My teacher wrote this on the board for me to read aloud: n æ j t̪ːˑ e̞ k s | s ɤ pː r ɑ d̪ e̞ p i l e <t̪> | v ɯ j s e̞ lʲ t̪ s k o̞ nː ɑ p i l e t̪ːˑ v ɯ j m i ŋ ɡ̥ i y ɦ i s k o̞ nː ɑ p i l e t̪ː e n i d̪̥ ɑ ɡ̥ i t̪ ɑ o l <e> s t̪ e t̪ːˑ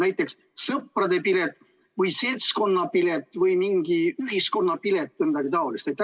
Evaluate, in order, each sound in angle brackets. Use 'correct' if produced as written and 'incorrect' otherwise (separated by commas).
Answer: correct, incorrect